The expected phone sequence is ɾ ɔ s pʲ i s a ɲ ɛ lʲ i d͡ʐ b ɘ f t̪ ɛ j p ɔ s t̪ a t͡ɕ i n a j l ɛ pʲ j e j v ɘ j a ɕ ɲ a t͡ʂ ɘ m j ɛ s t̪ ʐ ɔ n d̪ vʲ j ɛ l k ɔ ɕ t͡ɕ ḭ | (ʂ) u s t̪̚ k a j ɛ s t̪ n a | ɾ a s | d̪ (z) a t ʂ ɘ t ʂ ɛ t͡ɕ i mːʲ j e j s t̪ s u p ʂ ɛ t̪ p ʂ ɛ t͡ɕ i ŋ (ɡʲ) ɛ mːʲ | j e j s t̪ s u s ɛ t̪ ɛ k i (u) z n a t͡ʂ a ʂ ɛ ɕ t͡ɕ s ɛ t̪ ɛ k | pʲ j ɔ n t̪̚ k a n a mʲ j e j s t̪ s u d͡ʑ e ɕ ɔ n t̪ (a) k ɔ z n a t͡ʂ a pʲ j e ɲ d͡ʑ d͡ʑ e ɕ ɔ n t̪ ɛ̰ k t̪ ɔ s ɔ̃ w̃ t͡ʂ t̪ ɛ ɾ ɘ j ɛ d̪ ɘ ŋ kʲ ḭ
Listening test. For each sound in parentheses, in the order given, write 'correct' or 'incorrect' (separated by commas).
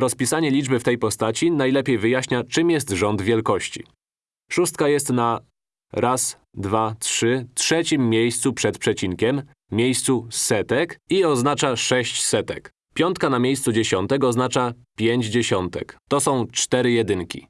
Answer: correct, incorrect, incorrect, incorrect, incorrect